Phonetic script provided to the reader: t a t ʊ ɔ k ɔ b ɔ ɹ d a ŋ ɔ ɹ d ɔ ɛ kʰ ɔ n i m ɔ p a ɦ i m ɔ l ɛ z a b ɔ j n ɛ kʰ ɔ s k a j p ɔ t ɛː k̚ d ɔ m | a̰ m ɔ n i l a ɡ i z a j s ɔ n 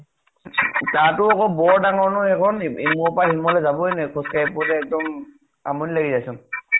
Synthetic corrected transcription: t a t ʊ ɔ k ɔ b ɔ ɹ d a ŋ ɔ ɹ n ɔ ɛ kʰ ɔ n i m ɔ p a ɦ i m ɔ l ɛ z a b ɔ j n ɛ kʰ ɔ s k a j p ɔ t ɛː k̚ d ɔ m | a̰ m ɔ n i l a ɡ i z a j s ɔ n